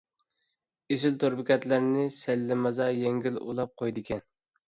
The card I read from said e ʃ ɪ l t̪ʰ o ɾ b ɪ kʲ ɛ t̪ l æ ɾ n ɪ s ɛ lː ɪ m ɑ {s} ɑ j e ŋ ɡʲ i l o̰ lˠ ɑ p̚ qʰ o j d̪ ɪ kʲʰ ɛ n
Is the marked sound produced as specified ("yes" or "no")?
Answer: no